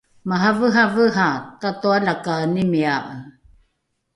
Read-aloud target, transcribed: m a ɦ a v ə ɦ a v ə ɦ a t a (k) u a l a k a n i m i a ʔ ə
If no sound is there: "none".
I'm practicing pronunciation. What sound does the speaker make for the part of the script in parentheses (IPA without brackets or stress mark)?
t